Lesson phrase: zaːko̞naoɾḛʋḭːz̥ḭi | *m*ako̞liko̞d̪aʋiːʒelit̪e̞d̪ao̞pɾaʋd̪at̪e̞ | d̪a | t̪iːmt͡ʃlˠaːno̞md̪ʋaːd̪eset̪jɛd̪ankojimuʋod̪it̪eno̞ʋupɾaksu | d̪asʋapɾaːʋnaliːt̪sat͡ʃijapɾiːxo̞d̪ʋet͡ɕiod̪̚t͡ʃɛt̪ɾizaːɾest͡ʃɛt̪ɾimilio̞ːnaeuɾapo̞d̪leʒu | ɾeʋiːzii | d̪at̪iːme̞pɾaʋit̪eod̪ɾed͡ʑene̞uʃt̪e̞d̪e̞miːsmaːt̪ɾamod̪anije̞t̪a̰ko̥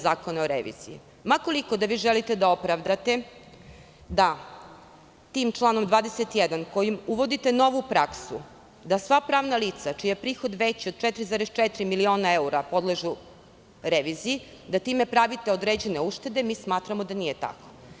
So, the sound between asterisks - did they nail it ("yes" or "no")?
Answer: yes